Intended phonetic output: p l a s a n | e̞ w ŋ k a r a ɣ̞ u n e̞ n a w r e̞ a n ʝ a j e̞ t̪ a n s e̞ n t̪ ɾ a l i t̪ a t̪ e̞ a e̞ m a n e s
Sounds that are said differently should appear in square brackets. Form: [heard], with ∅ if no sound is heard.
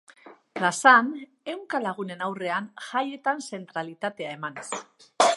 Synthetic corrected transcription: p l a s a n | e̞ w ŋ k a [l] a ɣ̞ u n e̞ n a w r e̞ a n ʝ a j e̞ t̪ a n s e̞ n t̪ ɾ a l i t̪ a t̪ e̞ a e̞ m a n e s